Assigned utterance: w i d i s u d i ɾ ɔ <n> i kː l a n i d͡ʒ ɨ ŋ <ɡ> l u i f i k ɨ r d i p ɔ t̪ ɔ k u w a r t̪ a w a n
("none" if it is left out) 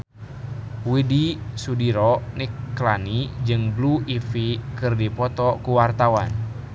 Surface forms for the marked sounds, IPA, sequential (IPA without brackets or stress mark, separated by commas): n, b